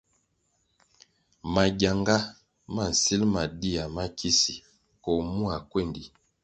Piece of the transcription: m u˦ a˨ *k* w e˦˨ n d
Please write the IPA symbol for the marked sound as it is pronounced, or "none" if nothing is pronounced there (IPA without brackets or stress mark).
k